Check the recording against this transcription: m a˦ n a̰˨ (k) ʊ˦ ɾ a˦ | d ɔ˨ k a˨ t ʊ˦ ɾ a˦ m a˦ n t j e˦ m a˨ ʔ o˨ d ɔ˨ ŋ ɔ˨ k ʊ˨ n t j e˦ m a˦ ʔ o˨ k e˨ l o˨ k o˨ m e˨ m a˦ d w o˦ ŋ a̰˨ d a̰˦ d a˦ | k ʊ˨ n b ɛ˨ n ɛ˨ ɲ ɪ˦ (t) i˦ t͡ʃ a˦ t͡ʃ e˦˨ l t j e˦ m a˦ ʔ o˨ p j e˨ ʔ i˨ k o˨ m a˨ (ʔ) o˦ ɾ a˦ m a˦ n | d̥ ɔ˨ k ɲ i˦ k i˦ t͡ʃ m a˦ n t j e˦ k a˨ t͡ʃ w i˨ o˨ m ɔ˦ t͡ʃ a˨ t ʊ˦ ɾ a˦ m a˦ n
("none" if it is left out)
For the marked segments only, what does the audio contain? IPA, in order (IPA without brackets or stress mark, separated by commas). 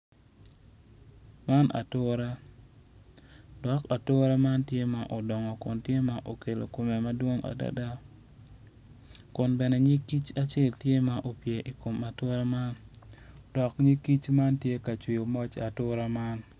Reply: t, k, t